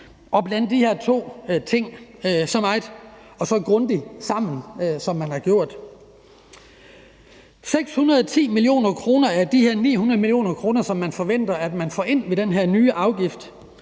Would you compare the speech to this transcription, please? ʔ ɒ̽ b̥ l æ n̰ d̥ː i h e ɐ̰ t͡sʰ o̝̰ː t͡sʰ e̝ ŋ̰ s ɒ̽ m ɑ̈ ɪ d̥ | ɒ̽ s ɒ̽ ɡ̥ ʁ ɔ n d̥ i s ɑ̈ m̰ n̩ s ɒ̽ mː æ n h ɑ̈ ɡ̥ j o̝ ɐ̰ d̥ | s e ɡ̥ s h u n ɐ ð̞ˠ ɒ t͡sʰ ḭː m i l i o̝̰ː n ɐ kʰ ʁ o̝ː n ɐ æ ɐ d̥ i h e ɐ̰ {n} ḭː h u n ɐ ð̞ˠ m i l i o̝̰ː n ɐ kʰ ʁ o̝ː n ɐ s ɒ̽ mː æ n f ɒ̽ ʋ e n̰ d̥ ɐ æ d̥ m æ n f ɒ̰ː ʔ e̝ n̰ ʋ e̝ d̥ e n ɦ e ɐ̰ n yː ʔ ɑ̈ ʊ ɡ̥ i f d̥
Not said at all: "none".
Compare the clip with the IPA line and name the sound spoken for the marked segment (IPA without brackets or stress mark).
n